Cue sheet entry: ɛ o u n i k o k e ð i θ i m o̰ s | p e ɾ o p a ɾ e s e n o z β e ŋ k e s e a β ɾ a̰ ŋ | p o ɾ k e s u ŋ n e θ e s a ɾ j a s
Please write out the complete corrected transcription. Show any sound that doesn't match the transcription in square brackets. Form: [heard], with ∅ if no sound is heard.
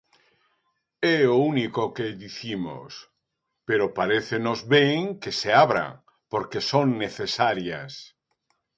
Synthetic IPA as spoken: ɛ o u n i k o k e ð i θ i m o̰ s | p e ɾ o p a ɾ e [θ] e n o z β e ŋ k e s e a β ɾ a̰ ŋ | p o ɾ k e s [o] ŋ n e θ e s a ɾ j a s